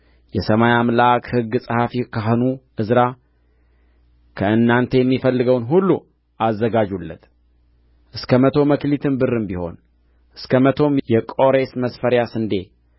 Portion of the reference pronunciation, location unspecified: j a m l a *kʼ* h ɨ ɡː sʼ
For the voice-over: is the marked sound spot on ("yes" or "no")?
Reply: no